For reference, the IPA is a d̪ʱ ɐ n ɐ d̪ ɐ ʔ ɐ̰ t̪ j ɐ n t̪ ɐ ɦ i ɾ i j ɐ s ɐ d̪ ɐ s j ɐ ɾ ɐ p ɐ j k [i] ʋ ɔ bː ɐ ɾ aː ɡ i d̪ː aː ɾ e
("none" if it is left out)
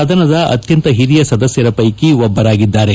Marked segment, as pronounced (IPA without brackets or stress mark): i